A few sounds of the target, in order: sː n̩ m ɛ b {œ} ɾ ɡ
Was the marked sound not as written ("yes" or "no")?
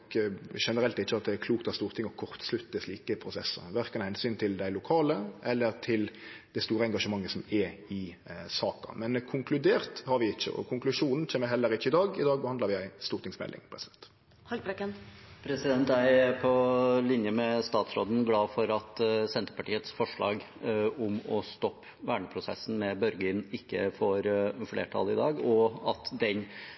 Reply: no